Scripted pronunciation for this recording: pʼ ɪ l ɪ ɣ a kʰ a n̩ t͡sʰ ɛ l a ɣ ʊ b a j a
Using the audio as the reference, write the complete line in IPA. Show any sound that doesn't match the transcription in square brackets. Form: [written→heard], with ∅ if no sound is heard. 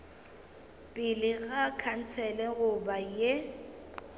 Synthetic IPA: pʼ ɪ l ɪ ɣ a kʰ a n̩ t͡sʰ ɛ l [a→ɛ] ɣ ʊ b a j [a→e]